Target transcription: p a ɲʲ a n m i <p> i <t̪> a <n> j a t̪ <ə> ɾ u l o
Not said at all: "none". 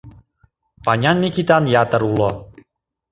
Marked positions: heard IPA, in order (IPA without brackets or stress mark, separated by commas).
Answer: k, t̪, n, ə